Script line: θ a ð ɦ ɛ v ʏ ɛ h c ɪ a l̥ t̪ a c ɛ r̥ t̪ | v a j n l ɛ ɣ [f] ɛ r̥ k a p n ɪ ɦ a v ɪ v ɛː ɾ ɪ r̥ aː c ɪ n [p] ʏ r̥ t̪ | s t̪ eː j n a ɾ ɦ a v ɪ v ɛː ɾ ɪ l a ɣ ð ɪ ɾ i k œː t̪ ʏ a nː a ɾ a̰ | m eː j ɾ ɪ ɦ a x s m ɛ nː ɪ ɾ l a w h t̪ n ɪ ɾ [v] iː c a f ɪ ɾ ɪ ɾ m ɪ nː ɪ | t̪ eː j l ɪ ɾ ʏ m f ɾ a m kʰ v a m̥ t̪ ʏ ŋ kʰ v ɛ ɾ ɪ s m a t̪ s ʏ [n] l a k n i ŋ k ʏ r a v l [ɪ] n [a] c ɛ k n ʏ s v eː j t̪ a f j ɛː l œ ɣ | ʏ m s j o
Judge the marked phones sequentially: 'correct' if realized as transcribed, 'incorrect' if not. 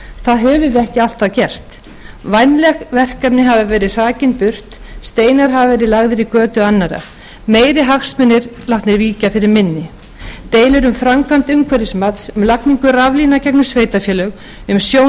incorrect, correct, correct, incorrect, incorrect, correct

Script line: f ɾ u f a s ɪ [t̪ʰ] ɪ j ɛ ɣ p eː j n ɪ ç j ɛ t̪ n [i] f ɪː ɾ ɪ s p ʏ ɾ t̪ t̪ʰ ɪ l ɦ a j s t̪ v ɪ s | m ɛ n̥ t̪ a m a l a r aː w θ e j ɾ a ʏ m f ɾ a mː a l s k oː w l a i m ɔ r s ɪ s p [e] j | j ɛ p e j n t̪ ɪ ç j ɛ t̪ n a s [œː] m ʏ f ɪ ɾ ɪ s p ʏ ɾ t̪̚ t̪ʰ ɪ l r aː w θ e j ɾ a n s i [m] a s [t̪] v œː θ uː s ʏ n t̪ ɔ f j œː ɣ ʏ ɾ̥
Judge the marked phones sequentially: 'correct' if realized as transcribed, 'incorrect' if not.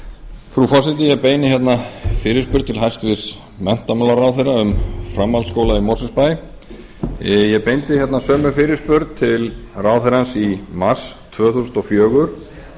incorrect, incorrect, incorrect, correct, correct, incorrect

